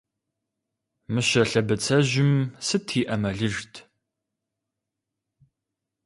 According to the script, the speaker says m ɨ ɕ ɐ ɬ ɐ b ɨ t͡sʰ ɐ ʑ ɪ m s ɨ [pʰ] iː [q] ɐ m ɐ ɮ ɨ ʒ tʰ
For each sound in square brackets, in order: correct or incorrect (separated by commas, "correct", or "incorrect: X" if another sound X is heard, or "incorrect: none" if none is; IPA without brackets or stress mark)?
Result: incorrect: tʰ, incorrect: ʔ